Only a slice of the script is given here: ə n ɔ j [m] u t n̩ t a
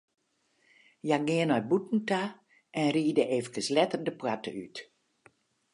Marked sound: incorrect: b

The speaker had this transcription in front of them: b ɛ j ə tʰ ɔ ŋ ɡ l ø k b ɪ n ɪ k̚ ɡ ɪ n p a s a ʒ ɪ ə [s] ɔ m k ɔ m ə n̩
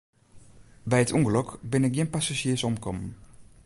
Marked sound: correct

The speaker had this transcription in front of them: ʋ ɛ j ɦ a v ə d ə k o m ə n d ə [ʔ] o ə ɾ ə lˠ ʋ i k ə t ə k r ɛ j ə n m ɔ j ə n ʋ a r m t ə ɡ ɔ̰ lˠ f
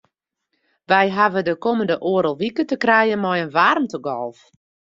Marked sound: correct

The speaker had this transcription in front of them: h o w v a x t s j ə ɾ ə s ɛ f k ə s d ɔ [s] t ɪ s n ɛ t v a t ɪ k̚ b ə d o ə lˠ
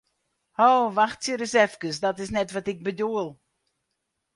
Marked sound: incorrect: none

